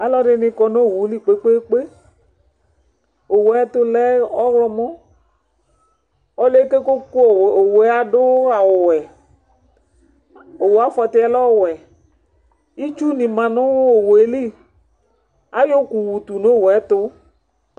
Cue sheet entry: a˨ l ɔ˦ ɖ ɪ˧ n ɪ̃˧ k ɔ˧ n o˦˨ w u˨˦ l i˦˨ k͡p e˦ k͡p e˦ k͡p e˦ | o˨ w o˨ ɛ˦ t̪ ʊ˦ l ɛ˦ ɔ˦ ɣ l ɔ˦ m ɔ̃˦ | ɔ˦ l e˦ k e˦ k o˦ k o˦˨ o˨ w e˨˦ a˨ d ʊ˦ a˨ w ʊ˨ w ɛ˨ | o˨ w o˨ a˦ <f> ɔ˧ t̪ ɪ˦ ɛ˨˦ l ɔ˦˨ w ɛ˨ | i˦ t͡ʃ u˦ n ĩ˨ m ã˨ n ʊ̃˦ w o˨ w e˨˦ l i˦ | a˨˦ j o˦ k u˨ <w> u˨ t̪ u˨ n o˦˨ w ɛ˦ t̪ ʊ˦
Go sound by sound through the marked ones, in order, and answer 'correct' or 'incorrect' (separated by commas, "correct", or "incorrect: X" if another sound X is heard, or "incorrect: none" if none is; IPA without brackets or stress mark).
correct, correct